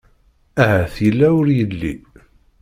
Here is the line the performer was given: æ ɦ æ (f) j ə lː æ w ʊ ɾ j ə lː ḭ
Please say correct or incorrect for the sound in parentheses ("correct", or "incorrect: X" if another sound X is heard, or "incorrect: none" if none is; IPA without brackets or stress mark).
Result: incorrect: θ